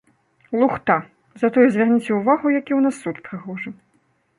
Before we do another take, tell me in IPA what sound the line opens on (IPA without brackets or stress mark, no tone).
lˠ